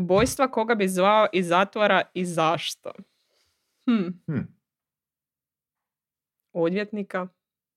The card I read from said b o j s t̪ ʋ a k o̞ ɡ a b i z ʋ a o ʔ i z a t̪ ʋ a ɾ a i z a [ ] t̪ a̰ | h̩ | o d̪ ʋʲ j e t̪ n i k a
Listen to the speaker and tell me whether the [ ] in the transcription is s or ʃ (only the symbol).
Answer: ʃ